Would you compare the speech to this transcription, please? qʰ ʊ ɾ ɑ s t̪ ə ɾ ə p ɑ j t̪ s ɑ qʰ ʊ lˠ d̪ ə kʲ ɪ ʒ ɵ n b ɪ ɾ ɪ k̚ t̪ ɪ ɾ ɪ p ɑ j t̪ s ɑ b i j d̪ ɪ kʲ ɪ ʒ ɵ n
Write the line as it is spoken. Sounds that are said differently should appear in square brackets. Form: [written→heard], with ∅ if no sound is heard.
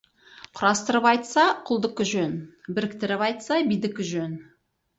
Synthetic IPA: qʰ ʊ ɾ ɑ s t̪ ə ɾ ə p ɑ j t̪ s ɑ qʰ ʊ lˠ d̪ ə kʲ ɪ ʒ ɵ n b ɪ ɾ ɪ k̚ t̪ ɪ ɾ ɪ p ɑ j t̪ s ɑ b i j d̪ ɪ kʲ ɪ ʒ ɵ n